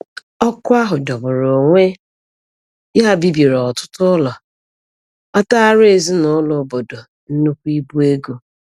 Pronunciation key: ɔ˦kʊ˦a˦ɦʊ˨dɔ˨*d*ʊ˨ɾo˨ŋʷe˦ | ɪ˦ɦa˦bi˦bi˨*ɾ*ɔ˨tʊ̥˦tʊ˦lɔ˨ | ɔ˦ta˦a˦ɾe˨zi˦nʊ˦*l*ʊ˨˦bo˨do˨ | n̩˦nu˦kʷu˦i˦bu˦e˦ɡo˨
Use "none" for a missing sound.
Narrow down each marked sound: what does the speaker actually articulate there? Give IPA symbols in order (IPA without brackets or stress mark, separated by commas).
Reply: b, ɾ, l